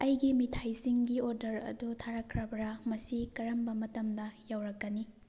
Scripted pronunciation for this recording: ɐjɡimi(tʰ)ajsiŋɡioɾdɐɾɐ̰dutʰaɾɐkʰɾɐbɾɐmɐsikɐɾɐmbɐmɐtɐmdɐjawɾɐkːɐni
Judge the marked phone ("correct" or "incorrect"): correct